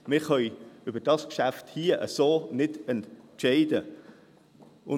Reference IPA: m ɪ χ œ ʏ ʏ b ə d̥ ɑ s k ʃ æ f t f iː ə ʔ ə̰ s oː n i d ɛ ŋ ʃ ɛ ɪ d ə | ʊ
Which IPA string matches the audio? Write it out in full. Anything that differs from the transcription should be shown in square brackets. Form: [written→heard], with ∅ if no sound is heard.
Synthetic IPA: m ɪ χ œ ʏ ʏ b ə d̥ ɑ s k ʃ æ f t [f→h] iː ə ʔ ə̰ s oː n [i→ɪ] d ɛ [ŋ→n] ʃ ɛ ɪ d ə | ʊ